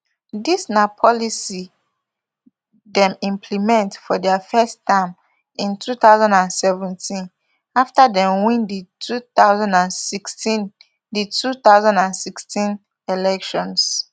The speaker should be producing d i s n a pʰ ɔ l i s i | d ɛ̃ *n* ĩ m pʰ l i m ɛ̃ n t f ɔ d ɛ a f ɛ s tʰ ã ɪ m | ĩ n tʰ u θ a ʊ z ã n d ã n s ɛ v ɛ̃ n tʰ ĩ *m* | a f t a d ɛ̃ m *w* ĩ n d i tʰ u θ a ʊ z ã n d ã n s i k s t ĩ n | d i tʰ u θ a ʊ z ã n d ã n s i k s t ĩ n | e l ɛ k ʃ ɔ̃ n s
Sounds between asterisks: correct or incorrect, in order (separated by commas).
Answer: incorrect, incorrect, correct